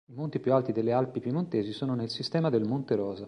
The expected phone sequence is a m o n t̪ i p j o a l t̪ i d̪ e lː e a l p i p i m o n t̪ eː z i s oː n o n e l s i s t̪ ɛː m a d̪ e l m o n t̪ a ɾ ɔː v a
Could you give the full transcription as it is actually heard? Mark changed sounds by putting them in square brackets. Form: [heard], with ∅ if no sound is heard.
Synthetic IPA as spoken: [i] m o n t̪ i p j [u] a l t̪ i d̪ e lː e a l p i p i m o n t̪ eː z i s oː n o n e l s i s t̪ ɛː m a d̪ e l m o n t̪ [e] ɾ ɔː [z] a